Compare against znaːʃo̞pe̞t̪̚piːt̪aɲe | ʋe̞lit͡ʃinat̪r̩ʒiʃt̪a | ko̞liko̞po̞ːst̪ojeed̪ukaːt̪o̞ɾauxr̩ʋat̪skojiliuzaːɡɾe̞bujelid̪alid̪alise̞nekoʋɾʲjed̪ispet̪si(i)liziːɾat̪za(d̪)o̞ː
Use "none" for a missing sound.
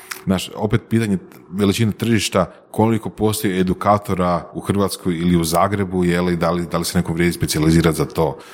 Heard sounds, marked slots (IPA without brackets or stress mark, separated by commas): a, t̪